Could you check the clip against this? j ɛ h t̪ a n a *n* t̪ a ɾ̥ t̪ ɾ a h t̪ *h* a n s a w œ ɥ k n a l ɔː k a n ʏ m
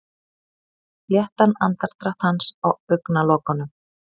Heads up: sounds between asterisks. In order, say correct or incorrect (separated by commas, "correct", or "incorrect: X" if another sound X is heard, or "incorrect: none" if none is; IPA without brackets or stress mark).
correct, correct